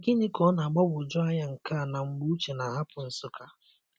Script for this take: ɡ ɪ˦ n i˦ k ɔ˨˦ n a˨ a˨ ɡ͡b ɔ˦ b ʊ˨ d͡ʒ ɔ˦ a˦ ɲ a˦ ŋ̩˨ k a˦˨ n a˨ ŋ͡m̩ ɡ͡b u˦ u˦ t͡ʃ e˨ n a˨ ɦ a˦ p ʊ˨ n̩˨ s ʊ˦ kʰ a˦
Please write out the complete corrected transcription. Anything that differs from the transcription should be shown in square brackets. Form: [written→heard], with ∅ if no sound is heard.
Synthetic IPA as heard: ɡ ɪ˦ n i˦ k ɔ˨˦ n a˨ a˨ ɡ͡b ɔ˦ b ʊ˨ d͡ʒ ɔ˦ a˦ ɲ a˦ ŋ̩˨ k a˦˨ n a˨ ŋ͡m̩ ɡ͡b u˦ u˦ t͡ʃ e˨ n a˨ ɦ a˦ p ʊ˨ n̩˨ s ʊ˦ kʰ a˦